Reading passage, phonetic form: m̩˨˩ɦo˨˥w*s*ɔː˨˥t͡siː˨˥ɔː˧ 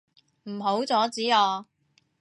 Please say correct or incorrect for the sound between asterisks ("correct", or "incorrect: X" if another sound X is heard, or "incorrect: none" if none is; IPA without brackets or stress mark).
incorrect: t͡s